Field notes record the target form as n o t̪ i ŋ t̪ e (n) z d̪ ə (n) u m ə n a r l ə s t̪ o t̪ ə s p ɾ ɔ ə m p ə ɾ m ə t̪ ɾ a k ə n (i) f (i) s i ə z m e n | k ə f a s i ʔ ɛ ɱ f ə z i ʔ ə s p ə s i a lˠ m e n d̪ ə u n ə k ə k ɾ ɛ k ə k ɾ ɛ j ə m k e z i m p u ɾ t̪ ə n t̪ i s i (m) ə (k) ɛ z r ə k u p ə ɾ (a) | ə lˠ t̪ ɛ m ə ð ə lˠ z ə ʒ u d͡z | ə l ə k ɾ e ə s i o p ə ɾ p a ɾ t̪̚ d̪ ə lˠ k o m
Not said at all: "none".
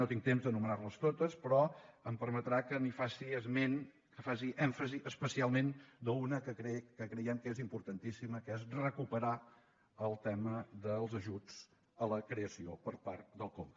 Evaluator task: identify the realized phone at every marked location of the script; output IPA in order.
m, n, i, a, m, k, a

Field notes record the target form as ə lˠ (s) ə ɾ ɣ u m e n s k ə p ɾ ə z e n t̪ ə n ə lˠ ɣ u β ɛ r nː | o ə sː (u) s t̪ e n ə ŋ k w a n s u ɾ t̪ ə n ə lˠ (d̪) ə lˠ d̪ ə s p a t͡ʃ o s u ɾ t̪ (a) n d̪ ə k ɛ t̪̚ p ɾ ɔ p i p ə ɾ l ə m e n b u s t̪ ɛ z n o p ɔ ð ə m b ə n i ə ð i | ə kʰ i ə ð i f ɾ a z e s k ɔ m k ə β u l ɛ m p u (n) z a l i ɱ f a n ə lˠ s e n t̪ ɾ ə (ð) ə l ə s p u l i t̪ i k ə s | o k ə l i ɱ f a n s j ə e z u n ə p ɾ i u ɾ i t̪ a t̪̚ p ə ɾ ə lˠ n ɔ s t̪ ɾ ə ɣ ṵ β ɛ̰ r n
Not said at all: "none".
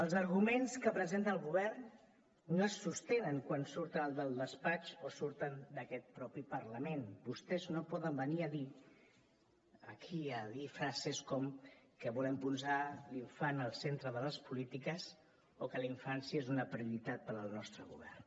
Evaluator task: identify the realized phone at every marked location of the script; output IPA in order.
z, u, d̪, ə, n, ð

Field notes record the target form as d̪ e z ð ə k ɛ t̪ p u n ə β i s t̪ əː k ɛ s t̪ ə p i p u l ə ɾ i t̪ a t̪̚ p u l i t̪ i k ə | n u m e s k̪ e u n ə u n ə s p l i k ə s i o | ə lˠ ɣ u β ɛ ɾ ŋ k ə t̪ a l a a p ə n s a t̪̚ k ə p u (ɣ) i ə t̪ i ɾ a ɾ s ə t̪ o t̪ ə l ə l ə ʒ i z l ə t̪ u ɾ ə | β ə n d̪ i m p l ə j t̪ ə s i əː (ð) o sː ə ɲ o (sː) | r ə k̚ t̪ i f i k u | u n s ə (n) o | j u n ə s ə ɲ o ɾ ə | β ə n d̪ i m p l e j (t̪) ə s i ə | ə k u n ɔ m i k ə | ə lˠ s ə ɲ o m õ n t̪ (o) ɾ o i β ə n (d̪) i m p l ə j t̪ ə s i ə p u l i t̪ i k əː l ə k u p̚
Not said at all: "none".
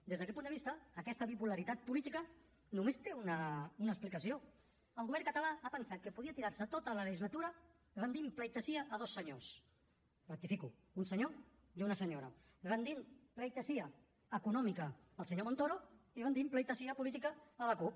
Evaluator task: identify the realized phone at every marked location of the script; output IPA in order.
ð, ð, s, ɲ, t̪, o, d̪

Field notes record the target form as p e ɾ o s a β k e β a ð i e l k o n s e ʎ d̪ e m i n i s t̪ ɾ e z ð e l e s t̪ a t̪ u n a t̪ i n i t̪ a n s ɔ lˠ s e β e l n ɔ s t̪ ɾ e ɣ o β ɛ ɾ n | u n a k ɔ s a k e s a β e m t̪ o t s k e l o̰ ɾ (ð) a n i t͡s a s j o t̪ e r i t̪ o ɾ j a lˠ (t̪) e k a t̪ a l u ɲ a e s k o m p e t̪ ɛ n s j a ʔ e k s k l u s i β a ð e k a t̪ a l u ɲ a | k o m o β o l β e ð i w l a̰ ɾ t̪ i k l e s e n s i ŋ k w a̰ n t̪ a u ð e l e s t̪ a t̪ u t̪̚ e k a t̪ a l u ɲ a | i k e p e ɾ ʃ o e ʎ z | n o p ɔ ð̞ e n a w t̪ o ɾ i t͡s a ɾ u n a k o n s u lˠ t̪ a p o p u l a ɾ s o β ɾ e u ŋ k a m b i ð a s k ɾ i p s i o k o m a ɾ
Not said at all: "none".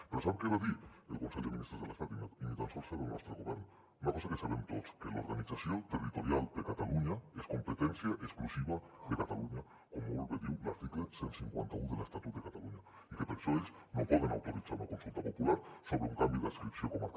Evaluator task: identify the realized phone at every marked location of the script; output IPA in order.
ɣ, d̪

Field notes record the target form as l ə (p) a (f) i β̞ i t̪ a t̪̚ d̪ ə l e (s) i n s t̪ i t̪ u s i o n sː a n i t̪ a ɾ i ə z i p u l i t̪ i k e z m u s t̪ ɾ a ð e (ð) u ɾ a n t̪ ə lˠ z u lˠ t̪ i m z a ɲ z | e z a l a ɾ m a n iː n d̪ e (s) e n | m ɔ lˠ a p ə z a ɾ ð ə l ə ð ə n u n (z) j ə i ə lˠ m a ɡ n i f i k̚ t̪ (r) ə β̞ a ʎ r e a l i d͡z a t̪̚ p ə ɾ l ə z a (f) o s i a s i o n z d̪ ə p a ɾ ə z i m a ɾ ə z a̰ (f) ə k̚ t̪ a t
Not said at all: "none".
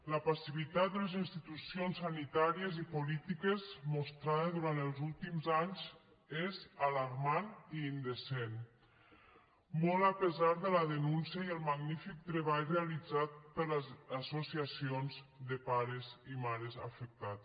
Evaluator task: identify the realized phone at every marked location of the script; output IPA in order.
p, s, z, ð, s, s, ɾ, s, f

